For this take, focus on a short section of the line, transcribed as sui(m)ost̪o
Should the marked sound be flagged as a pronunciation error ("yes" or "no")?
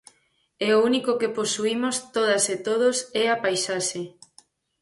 no